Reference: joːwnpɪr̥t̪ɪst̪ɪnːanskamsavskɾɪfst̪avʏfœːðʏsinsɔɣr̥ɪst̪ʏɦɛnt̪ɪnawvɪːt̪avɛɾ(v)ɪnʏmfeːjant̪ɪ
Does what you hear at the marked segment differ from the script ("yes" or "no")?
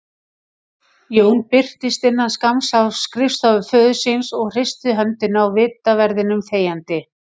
yes